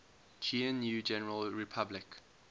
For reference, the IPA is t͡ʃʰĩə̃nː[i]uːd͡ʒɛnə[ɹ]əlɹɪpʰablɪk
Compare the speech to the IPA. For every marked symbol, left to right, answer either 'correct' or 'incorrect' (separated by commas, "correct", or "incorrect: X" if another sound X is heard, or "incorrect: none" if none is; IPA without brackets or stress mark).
incorrect: j, correct